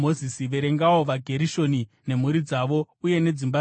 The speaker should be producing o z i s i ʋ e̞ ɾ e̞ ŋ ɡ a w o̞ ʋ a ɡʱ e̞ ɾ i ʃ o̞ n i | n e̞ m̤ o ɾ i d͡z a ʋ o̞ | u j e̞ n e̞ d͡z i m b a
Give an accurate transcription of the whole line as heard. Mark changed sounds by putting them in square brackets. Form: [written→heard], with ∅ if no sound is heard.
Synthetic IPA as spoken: o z i s i ʋ e̞ ɾ e̞ ŋ ɡ a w o̞ ʋ a ɡʱ e̞ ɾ i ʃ o̞ n i | n e̞ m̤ [o→u] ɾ i d͡z a ʋ o̞ | u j e̞ n e̞ d͡z i m b a